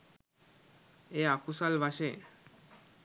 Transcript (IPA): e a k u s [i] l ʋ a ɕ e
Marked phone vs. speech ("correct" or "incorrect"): incorrect